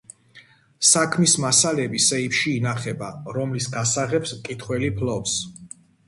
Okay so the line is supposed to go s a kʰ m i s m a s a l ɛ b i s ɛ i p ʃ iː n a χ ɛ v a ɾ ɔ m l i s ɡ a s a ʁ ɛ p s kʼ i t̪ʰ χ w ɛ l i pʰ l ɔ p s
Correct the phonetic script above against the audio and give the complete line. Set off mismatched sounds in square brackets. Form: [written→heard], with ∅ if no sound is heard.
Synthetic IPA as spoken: s a kʰ m i s m a s a l ɛ b i s ɛ i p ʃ iː n a χ ɛ [v→b] a ɾ ɔ m l i s ɡ a s a ʁ ɛ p s kʼ i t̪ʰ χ w ɛ l i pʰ l ɔ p s

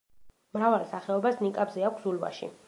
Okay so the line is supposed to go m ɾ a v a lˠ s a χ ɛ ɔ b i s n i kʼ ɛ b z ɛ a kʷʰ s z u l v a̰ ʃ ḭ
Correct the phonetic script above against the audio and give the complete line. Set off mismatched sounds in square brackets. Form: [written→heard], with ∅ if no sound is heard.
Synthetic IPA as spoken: m ɾ a v a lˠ s a χ ɛ ɔ b [i→a] s n i kʼ [ɛ→a] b z ɛ a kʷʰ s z u l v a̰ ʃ ḭ

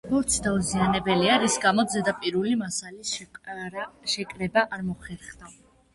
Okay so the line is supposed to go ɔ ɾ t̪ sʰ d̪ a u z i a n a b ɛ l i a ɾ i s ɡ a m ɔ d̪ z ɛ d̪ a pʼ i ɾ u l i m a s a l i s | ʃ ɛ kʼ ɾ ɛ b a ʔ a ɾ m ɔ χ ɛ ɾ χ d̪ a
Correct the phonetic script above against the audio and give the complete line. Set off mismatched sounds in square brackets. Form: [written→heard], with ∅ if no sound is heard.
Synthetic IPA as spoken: ɔ ɾ t̪ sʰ d̪ a u z i a n [a→ɛ] b ɛ l i a ɾ i s ɡ a m ɔ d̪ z ɛ d̪ a pʼ i ɾ u l i m a s a l i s | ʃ ɛ kʼ ɾ ɛ b a ʔ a ɾ m ɔ χ ɛ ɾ χ d̪ a

